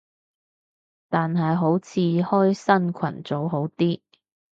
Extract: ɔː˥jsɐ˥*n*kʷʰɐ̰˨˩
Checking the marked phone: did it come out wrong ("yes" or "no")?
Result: no